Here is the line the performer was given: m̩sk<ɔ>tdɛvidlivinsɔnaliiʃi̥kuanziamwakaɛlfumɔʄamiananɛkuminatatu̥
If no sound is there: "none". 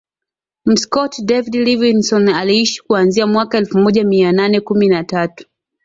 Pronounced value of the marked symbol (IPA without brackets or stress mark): ɔ